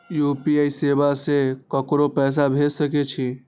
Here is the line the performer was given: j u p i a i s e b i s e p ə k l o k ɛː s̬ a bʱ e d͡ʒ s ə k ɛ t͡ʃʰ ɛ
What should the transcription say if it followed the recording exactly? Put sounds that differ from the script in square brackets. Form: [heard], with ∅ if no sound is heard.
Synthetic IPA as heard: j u p i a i s e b [a] s e [k] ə k [ɾ] o [p] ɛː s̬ a bʱ e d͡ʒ s ə k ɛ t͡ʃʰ [i]